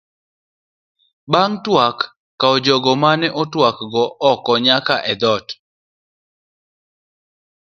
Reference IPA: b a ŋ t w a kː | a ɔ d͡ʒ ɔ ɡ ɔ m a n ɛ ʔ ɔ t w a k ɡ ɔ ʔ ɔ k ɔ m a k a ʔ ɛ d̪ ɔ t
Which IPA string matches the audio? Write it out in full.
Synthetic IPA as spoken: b a ŋ t w a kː | a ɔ d͡ʒ ɔ ɡ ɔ m a n ɛ ʔ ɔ t w a k ɡ ɔ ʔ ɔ k ɔ ɲ a k a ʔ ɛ d̪ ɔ t